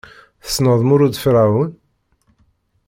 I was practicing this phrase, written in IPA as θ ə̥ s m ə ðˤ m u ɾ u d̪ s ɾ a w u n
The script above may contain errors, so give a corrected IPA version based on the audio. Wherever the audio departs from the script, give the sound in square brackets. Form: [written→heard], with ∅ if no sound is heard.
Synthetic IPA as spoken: θ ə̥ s [m→n] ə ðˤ m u ɾ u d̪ [s→f] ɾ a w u n